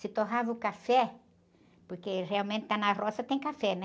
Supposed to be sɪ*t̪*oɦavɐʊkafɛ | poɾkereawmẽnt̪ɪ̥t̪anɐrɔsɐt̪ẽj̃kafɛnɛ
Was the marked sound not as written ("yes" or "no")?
no